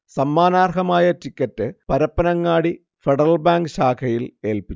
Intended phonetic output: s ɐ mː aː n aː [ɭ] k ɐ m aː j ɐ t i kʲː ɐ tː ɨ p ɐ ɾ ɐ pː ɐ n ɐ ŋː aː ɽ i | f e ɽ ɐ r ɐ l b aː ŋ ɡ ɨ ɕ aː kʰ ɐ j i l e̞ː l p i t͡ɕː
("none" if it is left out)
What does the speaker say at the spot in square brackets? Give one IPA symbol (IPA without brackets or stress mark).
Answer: r